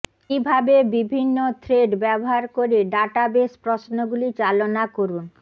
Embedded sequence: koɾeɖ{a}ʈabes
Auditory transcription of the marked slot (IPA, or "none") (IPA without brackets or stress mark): a